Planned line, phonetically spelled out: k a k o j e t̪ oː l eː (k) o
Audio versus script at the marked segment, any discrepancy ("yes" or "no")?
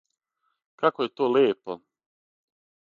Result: yes